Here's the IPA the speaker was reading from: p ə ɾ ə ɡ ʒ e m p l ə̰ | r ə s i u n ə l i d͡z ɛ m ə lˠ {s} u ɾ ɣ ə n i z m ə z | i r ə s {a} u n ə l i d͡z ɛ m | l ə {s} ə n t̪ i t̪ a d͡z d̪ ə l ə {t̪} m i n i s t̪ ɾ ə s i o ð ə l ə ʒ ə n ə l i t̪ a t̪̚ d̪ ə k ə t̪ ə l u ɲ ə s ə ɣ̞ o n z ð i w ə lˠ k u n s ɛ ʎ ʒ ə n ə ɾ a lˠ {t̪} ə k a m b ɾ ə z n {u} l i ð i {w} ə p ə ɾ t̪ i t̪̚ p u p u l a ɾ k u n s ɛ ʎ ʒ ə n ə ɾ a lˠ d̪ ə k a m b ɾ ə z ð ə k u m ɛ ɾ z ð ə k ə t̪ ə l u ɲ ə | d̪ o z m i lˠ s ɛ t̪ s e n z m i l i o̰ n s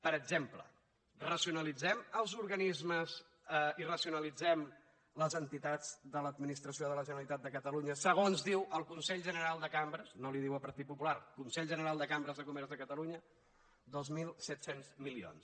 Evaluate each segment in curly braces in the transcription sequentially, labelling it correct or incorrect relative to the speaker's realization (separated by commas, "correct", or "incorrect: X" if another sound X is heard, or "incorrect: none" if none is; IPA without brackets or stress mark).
incorrect: z, incorrect: i, incorrect: z, incorrect: d̪, incorrect: d̪, incorrect: o, correct